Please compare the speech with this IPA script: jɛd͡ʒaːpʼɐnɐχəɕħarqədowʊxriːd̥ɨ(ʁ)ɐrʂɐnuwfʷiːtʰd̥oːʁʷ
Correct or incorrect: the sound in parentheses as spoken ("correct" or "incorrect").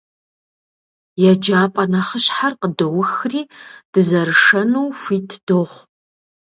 incorrect